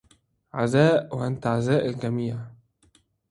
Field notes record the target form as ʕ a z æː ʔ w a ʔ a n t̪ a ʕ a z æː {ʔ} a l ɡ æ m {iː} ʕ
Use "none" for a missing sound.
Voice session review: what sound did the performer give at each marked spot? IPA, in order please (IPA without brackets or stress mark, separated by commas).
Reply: ʔ, iː